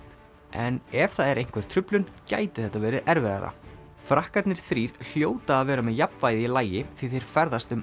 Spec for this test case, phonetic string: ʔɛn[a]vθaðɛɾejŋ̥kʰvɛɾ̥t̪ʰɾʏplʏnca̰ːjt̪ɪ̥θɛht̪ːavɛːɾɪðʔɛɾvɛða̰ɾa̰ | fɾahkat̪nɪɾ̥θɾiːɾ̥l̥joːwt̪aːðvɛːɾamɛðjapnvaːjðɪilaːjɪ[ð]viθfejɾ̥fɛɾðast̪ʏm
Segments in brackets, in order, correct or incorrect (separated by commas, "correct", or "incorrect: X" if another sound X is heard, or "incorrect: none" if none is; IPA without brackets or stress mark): incorrect: ɛ, incorrect: θ